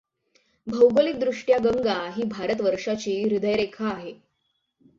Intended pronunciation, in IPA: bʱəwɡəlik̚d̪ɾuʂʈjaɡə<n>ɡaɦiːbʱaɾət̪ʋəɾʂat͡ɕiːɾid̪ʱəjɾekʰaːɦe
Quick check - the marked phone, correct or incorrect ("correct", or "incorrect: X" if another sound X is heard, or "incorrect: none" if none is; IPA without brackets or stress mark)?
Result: incorrect: ŋ